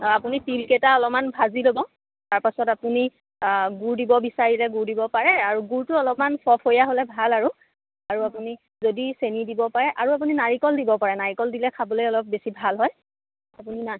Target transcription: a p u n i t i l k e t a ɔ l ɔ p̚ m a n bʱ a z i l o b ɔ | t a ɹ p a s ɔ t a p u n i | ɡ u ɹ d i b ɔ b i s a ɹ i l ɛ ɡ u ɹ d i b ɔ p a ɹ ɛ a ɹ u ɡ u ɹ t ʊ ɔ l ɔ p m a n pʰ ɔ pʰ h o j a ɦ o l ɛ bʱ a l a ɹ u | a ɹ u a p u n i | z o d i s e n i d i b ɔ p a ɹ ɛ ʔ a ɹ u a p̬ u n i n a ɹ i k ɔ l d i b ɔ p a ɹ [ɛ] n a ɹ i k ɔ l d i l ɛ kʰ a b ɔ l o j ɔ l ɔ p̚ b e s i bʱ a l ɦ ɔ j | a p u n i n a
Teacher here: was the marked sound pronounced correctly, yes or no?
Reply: yes